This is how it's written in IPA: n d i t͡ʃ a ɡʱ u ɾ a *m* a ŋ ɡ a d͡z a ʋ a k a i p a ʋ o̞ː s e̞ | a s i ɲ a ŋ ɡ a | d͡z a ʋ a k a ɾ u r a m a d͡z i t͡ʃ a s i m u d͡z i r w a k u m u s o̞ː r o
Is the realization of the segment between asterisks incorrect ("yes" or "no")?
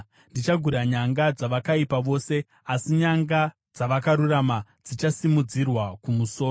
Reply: yes